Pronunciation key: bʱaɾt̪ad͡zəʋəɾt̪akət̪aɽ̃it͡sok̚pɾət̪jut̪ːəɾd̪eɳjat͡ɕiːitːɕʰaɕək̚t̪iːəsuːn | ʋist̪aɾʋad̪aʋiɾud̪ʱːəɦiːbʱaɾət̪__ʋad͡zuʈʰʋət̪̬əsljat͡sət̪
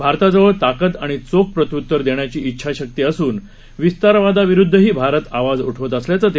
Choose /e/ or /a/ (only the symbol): a